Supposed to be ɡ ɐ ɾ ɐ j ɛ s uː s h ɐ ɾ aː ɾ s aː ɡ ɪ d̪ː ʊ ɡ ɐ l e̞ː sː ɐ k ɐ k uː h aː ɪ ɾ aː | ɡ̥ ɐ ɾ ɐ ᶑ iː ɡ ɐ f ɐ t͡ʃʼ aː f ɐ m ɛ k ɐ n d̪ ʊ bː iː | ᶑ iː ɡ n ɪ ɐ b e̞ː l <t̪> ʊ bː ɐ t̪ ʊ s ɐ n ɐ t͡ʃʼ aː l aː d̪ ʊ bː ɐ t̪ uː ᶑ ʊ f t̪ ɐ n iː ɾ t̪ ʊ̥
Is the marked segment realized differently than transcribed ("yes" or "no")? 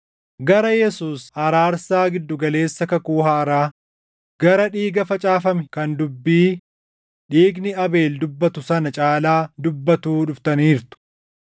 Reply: yes